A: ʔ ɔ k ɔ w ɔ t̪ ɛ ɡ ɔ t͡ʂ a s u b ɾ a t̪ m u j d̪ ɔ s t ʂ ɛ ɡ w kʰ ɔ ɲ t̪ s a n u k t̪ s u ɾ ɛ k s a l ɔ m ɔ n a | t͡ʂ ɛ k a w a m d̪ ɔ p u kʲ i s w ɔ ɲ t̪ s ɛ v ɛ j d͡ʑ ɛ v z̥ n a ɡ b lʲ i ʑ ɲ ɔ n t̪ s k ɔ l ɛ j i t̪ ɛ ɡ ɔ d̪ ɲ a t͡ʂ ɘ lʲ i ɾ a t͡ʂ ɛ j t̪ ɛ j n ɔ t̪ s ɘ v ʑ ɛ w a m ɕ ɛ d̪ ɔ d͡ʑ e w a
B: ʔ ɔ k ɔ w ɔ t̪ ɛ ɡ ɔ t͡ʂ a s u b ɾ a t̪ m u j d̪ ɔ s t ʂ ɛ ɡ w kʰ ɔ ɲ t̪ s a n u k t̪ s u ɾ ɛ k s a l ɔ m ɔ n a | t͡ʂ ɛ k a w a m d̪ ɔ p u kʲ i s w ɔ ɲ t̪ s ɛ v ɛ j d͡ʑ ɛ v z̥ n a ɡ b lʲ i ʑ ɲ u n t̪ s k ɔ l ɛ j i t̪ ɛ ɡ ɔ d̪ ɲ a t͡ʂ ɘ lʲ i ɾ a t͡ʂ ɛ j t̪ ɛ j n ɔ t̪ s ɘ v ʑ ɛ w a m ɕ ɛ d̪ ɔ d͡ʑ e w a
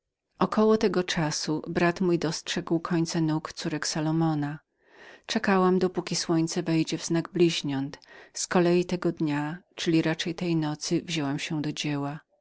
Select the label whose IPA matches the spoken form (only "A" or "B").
A